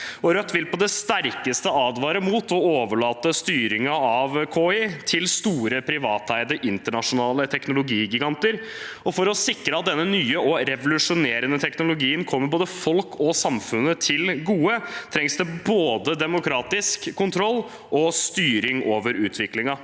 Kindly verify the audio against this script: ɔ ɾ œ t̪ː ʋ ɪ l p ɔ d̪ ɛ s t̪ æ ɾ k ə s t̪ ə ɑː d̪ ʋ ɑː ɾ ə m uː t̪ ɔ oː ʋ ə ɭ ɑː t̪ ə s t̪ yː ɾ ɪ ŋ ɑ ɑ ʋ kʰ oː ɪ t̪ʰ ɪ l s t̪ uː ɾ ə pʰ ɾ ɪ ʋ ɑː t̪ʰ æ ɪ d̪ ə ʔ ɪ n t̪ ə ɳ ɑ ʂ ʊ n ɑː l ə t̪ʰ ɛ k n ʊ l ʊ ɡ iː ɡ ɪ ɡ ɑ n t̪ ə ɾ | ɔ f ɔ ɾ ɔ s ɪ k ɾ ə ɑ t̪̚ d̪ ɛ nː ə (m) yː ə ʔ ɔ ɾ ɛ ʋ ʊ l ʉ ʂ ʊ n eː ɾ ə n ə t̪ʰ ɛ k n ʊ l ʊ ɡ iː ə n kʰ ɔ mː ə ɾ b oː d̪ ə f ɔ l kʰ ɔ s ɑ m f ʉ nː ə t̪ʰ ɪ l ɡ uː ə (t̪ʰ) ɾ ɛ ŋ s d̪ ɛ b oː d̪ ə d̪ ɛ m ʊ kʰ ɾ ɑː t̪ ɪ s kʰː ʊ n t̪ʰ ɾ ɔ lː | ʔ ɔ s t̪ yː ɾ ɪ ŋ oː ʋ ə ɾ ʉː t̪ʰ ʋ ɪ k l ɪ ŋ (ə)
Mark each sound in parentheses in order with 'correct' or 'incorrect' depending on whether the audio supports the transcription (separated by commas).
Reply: incorrect, correct, incorrect